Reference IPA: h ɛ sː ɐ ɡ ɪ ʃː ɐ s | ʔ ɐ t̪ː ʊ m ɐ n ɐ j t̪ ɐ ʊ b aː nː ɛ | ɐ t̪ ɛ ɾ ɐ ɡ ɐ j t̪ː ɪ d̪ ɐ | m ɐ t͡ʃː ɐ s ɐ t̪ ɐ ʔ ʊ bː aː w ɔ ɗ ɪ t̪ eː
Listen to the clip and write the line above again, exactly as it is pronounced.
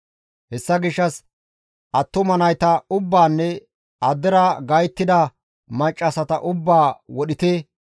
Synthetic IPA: h ɛ sː ɐ ɡ ɪ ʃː ɐ s | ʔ ɐ t̪ː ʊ m ɐ n ɐ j t̪ ɐ ʊ bː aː nː ɛ | ɐ d̪ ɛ ɾ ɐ ɡ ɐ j t̪ː ɪ d̪ ɐ | m ɐ t͡ʃʼː ɐ s ɐ t̪ ɐ ʔ ʊ bː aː w ɔ ɗ ɪ t̪ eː